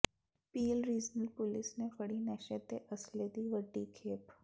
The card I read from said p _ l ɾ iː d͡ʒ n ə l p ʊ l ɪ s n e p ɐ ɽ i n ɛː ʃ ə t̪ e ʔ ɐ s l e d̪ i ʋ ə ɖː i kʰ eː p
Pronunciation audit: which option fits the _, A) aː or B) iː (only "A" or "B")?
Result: B